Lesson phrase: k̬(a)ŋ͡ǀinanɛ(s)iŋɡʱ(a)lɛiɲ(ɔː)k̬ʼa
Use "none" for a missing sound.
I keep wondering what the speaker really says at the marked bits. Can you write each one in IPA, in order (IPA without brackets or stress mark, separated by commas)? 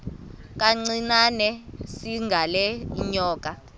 a, s, a, ɔː